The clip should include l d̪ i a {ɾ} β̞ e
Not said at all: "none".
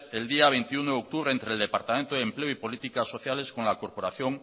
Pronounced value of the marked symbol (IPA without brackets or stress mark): none